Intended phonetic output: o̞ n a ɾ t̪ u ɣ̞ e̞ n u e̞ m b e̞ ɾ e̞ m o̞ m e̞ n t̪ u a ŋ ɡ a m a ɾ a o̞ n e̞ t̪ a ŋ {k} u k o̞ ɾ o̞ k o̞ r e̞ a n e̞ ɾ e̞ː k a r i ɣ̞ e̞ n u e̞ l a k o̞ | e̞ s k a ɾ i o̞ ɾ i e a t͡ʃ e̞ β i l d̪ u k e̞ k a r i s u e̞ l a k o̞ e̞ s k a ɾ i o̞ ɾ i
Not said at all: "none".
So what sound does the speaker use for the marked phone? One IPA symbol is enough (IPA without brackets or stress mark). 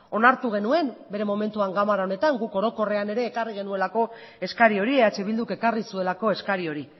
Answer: ɡ